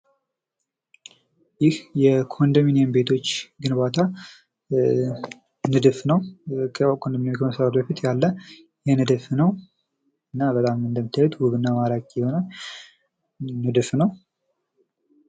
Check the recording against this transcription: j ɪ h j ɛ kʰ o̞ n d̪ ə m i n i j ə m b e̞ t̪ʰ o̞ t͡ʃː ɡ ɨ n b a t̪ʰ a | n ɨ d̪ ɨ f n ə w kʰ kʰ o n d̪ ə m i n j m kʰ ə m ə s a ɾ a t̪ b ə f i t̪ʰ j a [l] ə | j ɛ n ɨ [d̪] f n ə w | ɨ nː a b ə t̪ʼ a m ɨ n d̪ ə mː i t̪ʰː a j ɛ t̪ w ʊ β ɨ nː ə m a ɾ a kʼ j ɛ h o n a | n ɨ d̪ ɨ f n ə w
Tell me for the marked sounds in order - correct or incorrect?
incorrect: lː, correct

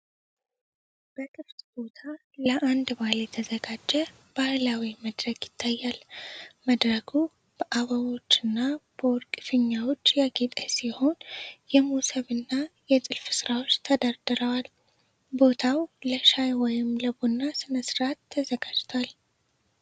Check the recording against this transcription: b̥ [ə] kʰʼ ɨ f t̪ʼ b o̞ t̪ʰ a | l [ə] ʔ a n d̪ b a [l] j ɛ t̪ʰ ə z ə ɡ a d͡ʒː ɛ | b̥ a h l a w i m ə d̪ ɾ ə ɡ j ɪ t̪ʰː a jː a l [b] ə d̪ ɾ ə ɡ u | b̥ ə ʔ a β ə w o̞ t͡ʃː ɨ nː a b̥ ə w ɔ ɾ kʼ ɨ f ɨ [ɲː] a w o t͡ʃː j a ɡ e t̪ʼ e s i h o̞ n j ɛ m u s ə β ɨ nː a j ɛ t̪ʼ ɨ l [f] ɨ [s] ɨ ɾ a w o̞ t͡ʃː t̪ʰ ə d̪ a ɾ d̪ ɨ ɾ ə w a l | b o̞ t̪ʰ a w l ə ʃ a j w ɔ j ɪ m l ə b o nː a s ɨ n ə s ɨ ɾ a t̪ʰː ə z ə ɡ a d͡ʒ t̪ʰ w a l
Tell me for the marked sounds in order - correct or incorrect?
correct, correct, correct, incorrect: m, correct, correct, correct

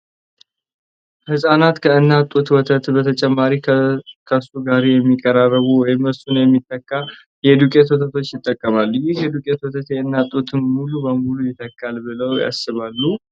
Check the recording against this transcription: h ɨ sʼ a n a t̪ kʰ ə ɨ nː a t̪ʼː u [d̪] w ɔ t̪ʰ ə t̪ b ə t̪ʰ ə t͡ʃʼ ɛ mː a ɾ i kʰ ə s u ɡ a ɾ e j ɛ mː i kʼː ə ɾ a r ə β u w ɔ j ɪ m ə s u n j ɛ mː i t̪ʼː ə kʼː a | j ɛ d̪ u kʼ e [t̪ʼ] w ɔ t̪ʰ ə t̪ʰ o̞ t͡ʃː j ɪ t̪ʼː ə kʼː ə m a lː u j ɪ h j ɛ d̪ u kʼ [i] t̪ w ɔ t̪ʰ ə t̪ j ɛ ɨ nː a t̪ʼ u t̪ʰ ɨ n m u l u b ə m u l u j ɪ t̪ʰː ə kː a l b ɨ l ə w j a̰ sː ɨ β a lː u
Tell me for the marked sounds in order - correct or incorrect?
incorrect: t̪, incorrect: t̪, incorrect: e

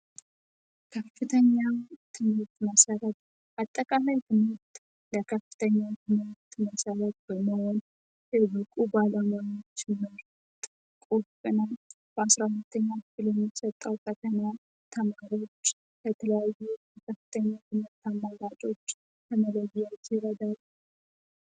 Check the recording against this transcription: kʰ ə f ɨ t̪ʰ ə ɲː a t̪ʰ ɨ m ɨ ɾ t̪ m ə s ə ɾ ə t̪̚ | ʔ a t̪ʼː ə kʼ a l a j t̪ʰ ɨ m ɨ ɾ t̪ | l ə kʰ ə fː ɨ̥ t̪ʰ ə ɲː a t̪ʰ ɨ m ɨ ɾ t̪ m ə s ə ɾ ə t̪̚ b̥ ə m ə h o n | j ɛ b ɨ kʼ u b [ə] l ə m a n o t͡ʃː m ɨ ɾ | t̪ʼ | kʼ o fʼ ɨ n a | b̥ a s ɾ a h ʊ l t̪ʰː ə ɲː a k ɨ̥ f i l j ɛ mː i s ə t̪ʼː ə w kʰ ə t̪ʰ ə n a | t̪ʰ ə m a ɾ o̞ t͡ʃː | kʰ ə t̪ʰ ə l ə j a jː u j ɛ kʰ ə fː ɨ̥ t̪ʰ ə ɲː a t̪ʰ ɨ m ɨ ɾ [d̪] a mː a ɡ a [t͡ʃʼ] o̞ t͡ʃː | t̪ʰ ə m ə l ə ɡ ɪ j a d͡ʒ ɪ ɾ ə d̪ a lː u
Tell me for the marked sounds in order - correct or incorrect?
incorrect: a, incorrect: t̪, correct

